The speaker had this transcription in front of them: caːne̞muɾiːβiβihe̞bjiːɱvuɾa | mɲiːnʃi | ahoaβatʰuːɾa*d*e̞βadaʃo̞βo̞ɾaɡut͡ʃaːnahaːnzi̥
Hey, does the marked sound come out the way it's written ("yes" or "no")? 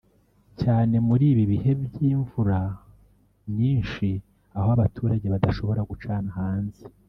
no